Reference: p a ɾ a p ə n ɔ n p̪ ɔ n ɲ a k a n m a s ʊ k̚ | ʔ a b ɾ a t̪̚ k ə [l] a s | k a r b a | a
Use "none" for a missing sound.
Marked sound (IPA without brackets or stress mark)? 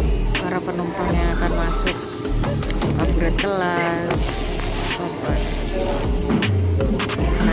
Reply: l